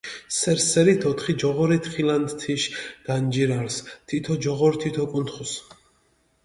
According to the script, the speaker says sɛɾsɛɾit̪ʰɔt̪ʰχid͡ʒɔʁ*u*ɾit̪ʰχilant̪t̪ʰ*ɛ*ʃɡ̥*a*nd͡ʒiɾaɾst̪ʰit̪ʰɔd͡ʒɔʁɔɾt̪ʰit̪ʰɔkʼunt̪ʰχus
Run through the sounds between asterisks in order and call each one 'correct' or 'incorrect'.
incorrect, incorrect, correct

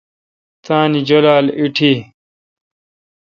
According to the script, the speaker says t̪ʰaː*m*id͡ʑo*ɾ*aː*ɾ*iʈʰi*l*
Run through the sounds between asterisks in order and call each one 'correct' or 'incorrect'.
incorrect, incorrect, incorrect, incorrect

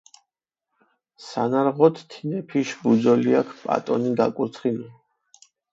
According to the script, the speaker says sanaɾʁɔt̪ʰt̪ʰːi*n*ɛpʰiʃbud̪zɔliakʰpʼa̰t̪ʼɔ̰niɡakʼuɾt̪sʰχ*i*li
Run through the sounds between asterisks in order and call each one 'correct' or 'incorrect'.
correct, correct

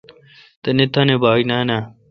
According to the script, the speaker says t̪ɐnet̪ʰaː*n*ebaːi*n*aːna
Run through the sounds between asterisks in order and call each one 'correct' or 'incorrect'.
correct, correct

